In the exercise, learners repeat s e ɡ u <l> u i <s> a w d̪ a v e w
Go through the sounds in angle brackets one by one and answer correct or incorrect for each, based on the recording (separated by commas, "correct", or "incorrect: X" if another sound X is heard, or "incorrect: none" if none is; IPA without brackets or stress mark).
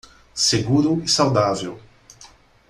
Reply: incorrect: ɾ, correct